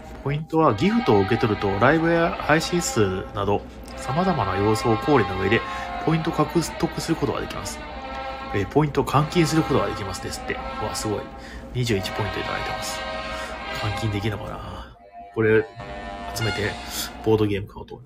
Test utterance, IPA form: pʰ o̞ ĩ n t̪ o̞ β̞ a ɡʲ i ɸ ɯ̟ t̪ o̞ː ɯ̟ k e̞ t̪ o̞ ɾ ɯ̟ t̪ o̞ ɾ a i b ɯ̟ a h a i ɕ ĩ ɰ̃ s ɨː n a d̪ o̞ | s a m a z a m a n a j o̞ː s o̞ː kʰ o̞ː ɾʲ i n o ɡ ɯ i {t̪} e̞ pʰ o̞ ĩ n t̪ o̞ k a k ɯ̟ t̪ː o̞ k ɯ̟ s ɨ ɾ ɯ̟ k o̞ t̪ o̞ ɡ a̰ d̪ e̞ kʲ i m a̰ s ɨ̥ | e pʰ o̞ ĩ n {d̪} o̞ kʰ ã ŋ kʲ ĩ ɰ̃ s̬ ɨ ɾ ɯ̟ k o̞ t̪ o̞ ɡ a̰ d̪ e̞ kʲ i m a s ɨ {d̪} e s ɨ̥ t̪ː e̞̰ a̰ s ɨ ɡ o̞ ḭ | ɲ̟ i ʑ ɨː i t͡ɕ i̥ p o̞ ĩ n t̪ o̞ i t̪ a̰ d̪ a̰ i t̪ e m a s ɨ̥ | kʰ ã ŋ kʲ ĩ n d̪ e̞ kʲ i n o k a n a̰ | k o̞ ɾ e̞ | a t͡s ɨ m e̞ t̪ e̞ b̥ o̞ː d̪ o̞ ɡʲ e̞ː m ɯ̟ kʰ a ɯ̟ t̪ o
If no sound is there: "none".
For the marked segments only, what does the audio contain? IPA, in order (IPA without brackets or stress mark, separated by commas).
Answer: d̪, t̪, d̪